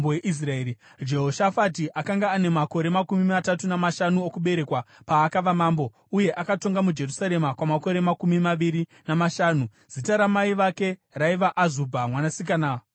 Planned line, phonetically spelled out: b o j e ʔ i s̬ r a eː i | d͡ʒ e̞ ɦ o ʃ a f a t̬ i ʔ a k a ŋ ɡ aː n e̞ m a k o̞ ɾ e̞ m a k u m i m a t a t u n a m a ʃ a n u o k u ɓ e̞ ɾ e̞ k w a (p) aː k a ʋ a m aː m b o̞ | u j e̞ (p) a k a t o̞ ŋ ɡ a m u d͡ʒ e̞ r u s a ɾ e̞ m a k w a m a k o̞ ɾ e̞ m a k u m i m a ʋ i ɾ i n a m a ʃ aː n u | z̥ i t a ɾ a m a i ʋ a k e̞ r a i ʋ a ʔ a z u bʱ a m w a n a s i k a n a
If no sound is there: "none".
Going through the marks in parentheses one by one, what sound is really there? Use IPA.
p, ʔ

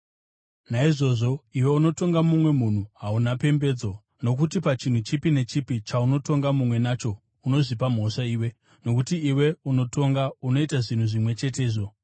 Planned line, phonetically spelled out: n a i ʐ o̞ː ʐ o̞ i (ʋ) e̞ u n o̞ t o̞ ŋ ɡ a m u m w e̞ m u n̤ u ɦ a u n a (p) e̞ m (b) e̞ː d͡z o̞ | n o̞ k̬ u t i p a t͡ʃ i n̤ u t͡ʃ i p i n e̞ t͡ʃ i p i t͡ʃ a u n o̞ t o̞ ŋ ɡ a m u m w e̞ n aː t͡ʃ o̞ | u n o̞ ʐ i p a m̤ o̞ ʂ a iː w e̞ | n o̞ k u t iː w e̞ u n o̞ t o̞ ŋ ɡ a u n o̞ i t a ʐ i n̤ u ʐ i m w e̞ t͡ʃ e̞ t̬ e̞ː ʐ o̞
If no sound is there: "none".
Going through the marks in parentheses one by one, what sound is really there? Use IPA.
w, p, b

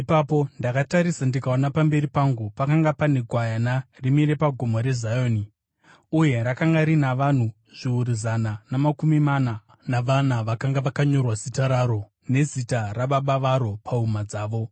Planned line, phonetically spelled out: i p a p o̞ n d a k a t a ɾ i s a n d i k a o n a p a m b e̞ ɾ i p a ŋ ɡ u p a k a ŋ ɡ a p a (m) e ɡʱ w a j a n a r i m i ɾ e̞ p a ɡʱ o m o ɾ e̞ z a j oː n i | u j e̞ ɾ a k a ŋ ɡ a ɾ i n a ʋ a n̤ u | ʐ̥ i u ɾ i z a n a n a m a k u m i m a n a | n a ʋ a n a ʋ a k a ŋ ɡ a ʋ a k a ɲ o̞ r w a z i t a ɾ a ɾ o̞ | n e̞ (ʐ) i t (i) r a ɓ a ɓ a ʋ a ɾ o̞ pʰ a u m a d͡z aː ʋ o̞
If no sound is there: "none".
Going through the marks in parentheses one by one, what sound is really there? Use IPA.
n, z, a

